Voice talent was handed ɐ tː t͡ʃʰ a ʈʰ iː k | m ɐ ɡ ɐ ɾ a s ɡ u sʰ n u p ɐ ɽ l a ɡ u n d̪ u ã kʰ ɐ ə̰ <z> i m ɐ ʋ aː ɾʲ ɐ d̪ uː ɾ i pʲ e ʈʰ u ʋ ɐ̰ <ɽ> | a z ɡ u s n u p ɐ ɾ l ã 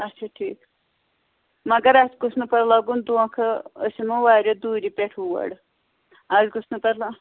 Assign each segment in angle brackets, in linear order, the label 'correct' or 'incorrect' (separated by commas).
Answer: incorrect, correct